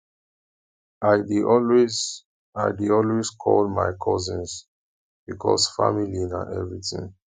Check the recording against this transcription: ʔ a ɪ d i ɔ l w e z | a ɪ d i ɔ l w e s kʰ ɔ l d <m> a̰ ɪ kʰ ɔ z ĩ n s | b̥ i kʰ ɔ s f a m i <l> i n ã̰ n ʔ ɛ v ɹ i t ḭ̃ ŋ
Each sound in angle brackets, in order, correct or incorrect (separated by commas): correct, correct